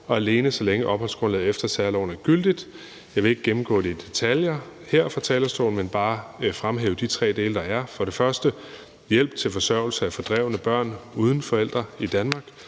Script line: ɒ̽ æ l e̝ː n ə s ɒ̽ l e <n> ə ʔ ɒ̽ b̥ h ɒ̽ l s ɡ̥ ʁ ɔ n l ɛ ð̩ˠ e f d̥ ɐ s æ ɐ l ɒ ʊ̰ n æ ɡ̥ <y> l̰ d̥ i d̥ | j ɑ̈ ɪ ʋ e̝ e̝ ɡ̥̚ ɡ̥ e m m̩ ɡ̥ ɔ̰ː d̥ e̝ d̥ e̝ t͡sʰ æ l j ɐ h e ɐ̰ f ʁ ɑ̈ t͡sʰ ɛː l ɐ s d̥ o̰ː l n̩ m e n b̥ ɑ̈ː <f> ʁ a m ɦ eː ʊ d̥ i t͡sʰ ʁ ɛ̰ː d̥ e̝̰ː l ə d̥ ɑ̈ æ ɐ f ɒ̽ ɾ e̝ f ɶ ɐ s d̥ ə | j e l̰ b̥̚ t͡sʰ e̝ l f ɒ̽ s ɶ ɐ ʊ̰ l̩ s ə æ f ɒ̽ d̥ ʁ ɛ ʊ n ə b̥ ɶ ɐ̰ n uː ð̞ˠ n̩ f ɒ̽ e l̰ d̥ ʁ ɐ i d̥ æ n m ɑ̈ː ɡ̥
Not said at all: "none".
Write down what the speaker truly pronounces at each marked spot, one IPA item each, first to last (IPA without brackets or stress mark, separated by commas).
ŋ, y, f